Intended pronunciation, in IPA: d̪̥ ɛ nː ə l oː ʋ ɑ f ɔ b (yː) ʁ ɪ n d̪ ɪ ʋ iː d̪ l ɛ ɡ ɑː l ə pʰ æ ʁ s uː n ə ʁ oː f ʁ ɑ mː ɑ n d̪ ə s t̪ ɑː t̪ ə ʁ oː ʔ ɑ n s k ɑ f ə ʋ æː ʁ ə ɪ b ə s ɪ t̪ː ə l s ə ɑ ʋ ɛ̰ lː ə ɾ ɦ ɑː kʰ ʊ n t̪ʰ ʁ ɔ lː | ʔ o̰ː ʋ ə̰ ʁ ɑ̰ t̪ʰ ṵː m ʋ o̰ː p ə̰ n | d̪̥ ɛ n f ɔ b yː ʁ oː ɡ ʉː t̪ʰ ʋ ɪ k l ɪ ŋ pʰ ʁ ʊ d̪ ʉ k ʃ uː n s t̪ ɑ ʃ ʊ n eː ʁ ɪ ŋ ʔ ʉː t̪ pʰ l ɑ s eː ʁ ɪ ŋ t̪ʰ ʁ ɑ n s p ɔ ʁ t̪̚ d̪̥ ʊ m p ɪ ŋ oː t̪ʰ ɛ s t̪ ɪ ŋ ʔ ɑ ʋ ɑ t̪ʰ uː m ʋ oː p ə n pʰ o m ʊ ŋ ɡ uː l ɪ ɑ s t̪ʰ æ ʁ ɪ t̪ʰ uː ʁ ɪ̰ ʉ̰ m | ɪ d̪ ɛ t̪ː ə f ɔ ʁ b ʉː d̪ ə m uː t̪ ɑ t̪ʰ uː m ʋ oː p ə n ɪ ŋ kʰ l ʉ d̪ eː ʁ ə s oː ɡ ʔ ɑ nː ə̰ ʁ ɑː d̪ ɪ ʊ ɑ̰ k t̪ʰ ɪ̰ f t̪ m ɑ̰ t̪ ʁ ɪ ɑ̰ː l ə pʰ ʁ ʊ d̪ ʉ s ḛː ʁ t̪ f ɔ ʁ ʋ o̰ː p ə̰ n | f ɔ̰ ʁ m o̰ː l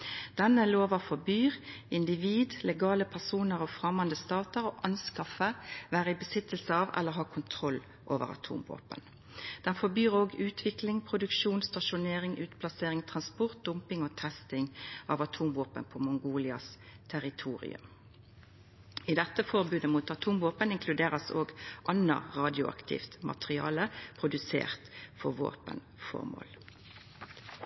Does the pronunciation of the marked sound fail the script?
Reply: no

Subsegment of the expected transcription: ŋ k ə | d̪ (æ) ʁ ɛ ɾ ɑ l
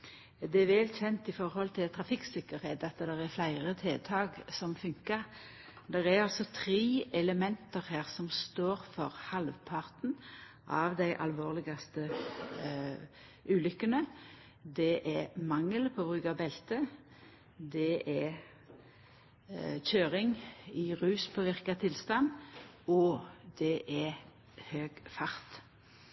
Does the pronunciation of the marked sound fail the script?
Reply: yes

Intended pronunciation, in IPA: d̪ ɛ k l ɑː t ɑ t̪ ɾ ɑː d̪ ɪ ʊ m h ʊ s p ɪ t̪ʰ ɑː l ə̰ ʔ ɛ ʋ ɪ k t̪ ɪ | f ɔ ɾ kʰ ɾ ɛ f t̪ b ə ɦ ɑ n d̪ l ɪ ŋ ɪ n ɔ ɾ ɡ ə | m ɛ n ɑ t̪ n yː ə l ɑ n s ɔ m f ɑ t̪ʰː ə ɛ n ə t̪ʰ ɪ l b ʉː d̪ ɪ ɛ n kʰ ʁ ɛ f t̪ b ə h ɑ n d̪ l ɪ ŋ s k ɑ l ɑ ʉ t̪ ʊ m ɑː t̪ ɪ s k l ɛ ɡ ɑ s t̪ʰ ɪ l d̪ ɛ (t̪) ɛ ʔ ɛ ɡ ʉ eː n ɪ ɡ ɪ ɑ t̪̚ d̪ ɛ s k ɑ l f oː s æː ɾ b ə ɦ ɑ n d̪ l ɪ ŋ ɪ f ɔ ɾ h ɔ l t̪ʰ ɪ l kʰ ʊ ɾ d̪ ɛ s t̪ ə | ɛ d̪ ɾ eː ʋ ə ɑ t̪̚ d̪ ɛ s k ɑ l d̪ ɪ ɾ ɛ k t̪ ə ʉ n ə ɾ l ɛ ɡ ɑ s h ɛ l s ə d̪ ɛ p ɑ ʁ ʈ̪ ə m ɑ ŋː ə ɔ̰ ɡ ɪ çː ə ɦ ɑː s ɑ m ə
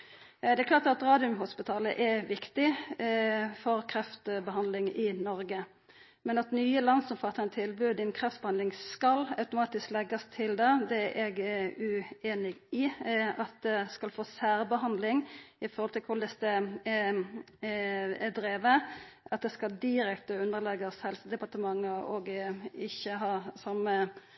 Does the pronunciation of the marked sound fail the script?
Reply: yes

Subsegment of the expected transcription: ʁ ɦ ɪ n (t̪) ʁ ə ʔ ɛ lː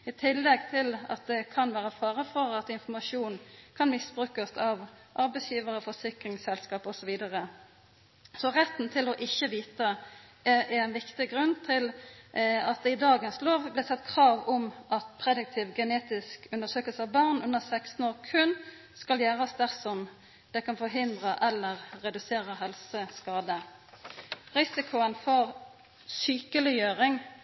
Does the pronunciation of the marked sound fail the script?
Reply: yes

